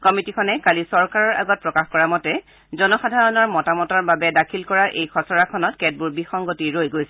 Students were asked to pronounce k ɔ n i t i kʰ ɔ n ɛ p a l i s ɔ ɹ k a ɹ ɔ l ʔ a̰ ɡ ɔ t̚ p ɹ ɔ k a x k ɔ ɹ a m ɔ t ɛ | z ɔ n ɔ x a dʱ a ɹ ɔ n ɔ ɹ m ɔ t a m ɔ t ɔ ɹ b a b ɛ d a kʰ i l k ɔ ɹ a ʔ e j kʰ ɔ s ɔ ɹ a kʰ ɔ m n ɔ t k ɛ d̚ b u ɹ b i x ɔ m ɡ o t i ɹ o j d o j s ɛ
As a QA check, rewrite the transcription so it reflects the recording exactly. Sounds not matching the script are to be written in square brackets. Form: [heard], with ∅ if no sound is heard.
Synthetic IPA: k ɔ [m] i t i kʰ ɔ n ɛ [k] a l i s ɔ ɹ k a ɹ ɔ [ɹ] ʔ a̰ ɡ ɔ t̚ p ɹ ɔ k a x k ɔ ɹ a m ɔ t ɛ | z ɔ n ɔ x a dʱ a ɹ ɔ n ɔ ɹ m ɔ t a m ɔ t ɔ ɹ b a b ɛ d a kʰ i l k ɔ ɹ a ʔ e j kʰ ɔ s ɔ ɹ a kʰ ɔ [∅] n ɔ t k ɛ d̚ b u ɹ b i x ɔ [ŋ] ɡ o t i ɹ o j [ɡ] o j s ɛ